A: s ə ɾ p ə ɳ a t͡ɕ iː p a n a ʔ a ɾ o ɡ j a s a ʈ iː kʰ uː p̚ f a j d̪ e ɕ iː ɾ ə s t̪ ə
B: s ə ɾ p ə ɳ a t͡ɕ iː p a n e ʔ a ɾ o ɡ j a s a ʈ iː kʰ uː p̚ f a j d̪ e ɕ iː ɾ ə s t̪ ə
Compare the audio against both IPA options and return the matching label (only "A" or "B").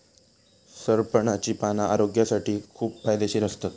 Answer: A